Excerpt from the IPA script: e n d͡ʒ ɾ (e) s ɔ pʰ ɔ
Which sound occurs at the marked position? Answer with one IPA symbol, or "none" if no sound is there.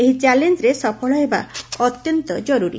e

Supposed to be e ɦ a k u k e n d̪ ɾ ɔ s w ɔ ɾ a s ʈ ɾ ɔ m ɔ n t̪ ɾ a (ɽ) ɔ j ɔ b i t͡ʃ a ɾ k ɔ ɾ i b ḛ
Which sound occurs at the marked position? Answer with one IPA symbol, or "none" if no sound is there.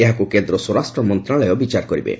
l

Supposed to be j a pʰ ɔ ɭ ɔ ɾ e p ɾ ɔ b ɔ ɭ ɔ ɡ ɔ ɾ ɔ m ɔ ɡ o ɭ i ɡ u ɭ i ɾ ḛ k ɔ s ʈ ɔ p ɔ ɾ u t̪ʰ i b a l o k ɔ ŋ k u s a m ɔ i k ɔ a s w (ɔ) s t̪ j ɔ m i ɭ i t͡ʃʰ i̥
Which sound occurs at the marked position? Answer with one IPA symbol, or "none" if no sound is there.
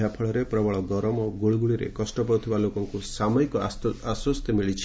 ɔ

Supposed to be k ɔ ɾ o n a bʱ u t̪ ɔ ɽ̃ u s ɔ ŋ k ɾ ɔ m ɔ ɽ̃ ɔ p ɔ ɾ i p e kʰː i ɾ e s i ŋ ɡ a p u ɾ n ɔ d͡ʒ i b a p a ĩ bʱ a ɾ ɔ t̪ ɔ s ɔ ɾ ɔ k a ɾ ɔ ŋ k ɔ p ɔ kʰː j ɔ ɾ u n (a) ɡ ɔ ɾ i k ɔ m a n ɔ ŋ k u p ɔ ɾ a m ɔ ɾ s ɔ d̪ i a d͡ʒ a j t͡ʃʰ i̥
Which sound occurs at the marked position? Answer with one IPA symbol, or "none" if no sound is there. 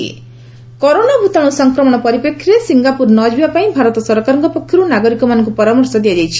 a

